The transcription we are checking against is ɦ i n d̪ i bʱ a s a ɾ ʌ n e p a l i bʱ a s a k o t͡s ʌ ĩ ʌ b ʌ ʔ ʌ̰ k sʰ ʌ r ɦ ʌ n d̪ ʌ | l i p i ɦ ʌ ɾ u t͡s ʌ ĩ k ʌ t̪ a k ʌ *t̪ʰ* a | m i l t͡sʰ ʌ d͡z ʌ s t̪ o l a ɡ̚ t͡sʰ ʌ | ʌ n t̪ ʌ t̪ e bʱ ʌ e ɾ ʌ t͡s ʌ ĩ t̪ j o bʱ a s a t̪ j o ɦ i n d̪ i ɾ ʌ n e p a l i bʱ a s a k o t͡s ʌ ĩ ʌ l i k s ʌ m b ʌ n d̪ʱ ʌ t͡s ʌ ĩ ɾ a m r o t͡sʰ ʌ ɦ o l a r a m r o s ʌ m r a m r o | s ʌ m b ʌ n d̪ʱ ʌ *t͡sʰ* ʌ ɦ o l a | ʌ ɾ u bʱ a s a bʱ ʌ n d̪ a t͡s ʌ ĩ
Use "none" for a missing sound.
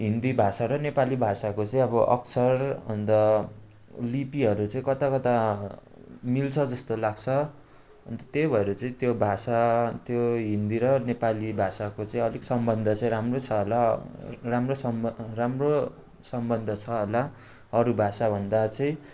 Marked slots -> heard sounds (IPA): t̪, t͡sʰ

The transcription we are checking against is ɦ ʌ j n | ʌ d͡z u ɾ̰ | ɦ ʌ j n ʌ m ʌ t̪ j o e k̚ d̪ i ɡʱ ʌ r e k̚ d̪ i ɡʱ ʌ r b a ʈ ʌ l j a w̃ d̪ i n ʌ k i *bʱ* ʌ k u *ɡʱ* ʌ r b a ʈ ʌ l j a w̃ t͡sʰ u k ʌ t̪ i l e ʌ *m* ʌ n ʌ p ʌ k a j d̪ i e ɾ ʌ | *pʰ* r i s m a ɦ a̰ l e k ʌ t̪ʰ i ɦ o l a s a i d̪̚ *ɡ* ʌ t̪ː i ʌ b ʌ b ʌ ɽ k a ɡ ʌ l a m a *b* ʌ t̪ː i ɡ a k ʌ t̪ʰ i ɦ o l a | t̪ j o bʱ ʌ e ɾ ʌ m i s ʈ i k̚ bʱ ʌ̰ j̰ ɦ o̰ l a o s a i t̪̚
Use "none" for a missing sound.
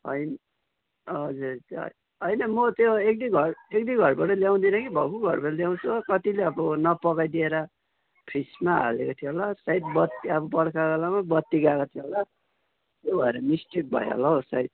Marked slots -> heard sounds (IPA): bʱ, ɡʱ, b, pʰ, b, b

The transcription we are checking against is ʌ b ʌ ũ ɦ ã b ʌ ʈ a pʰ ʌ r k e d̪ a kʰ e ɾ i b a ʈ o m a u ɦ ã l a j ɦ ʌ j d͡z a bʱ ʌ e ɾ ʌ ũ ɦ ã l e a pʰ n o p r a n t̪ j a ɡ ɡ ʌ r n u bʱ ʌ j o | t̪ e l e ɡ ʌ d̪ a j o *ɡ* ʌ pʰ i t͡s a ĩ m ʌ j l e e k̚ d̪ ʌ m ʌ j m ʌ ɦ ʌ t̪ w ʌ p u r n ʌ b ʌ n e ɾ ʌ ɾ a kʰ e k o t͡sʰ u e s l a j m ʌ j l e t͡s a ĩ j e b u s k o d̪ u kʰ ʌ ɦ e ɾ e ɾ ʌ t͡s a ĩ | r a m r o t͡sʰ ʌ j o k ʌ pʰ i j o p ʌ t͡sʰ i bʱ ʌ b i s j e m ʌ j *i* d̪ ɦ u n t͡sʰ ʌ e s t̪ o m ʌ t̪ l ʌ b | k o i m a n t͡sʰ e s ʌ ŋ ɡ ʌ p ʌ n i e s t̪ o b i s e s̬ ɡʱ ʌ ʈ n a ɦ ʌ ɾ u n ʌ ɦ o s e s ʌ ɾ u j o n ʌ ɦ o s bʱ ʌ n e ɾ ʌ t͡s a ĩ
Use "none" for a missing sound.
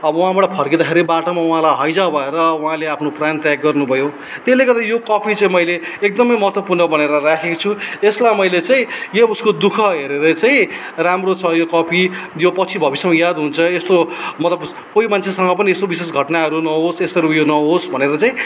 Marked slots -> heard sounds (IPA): k, a

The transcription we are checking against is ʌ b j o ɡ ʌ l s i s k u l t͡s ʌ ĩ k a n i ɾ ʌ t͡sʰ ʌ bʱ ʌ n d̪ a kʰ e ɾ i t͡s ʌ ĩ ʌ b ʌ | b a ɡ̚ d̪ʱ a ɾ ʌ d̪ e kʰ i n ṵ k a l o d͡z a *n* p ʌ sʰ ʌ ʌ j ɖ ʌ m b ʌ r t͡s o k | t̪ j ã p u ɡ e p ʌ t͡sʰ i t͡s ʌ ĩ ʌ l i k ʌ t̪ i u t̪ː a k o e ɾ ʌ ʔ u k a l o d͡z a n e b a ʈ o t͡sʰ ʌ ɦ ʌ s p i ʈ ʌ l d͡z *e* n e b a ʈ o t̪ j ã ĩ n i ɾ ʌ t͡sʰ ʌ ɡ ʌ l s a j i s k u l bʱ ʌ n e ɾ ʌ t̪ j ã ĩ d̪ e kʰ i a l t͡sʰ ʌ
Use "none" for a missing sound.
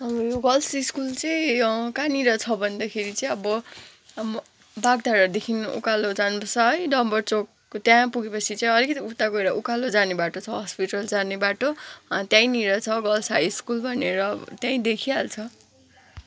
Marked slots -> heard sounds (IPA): n, a

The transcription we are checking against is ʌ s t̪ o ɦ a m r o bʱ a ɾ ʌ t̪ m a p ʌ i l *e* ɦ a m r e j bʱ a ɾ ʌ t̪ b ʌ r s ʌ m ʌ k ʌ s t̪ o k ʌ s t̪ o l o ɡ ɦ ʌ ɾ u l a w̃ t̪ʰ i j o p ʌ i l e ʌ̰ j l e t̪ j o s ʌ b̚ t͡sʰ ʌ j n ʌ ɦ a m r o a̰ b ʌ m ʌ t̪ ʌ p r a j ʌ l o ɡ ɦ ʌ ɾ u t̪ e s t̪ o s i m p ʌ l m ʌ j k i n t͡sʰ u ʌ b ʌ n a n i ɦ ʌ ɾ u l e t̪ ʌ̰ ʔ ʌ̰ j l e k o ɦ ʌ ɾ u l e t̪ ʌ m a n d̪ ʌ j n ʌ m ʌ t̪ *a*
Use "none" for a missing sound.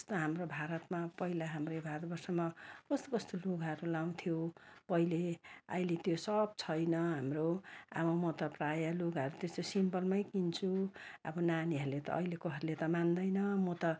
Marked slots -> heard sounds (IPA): a, ʌ

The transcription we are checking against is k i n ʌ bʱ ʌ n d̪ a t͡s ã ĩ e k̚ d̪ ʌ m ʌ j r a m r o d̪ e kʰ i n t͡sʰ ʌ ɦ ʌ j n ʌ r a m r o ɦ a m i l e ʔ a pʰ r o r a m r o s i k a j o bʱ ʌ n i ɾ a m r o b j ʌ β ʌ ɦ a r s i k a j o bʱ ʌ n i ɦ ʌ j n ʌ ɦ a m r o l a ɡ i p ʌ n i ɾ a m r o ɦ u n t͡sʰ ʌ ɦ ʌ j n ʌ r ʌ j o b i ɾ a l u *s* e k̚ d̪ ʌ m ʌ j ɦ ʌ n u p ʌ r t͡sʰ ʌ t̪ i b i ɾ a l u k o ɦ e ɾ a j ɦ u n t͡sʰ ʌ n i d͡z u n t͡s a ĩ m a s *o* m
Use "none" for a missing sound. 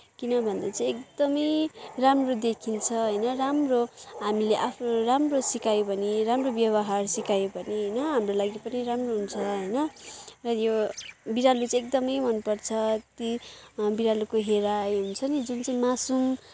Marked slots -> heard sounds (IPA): t͡s, u

